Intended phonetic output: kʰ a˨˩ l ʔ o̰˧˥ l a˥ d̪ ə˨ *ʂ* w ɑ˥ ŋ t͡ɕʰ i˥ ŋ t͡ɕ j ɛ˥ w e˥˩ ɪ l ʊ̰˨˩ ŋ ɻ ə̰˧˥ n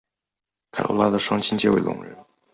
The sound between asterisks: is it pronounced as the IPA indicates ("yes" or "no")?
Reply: yes